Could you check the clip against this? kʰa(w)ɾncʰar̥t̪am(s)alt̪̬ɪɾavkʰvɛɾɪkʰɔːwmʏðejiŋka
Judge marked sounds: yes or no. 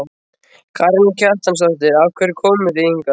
no, yes

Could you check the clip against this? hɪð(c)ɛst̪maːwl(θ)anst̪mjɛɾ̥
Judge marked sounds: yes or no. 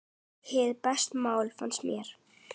no, no

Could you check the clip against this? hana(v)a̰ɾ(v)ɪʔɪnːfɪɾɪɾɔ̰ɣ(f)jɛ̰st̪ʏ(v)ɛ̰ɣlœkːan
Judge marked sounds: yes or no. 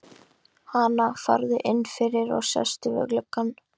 no, no, no, yes

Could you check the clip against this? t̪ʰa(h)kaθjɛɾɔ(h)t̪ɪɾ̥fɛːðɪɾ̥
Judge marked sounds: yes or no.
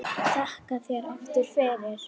yes, no

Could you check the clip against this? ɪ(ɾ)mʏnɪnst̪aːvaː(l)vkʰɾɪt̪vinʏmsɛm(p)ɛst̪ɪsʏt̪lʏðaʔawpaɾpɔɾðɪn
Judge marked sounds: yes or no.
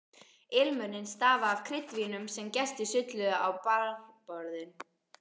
no, no, no

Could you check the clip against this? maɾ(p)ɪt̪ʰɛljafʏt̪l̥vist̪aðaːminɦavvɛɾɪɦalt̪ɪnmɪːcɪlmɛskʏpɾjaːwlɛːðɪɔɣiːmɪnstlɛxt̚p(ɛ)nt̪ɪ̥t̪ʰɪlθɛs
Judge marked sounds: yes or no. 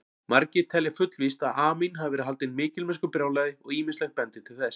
no, yes

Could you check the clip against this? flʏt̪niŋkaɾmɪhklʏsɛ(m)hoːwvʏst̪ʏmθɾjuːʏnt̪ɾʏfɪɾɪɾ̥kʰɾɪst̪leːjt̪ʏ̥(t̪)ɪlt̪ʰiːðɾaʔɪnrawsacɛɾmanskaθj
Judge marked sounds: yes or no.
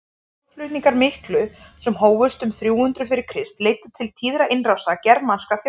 yes, no

